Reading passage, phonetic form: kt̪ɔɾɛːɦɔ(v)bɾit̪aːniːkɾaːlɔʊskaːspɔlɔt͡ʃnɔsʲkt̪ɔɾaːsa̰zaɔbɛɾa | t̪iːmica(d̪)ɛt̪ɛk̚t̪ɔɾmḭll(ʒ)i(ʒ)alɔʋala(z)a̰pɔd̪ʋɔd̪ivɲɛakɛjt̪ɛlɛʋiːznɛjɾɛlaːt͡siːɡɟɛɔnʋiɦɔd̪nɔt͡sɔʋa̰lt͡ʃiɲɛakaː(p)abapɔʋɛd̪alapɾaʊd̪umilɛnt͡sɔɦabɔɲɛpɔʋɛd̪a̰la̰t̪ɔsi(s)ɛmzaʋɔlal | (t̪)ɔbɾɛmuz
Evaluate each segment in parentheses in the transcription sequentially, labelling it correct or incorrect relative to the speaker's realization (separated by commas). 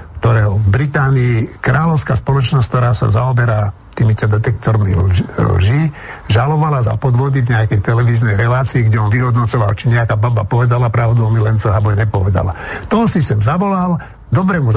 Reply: correct, correct, correct, correct, correct, incorrect, correct, incorrect